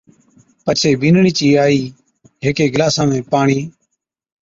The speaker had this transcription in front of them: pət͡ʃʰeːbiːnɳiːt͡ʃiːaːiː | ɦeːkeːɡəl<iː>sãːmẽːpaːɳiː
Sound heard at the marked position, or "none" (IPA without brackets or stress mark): aː